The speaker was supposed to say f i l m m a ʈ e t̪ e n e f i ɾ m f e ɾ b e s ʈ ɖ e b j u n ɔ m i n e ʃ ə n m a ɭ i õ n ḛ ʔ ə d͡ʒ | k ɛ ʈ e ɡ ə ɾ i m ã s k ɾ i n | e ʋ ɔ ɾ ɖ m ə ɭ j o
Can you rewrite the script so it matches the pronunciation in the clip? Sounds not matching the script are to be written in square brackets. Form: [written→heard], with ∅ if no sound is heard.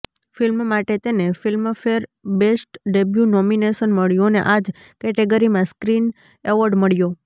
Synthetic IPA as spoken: f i l m m a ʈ e t̪ e n e f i [ɾ→l] m f e ɾ b e s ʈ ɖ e b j u n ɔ m i n e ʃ ə n m [a→ə] ɭ [i→j] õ n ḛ ʔ [ə→a] d͡ʒ | k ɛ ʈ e ɡ ə ɾ i m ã s k ɾ i n | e ʋ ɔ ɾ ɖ m ə ɭ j o